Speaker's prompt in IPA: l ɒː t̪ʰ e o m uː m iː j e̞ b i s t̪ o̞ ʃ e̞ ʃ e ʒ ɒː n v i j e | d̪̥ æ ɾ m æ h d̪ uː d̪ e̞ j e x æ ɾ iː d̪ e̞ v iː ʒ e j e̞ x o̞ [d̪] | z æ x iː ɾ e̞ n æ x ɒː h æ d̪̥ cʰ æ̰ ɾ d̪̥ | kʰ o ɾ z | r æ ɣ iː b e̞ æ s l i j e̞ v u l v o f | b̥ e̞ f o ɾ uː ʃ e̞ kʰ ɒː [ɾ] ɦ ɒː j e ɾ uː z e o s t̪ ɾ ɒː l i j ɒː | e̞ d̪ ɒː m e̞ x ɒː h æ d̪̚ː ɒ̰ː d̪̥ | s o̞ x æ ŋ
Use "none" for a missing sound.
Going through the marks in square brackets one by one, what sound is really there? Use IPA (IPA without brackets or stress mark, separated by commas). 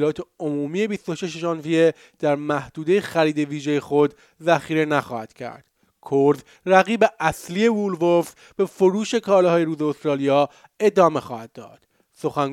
d̪, l